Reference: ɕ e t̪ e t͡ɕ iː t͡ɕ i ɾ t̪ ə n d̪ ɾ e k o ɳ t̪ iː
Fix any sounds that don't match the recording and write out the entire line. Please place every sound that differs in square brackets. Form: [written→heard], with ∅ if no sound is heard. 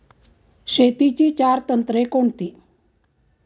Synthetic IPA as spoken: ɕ e t̪ [e→i] t͡ɕ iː t͡ɕ [i→a] ɾ t̪ ə n [d̪→t̪] ɾ e k o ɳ t̪ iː